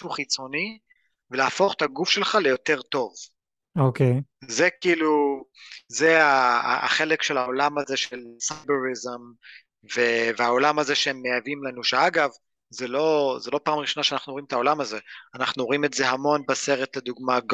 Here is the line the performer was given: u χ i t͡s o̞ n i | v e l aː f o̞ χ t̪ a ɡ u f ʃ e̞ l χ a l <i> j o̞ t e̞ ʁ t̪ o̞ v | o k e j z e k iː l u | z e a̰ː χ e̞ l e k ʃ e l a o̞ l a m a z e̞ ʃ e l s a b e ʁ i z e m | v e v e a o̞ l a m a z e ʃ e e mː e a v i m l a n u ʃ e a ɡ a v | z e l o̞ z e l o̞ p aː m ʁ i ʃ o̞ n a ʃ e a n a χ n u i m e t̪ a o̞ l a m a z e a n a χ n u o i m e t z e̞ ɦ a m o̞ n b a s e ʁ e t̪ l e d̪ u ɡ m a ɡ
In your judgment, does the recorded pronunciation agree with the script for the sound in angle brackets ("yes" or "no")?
no